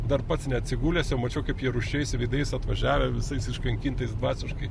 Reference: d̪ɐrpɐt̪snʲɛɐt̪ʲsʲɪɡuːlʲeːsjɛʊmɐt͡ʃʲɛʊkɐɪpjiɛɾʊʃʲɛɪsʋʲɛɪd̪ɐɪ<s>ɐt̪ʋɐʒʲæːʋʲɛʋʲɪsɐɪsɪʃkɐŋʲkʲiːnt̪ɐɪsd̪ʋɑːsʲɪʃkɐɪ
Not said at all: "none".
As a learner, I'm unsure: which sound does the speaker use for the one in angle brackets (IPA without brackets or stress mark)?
s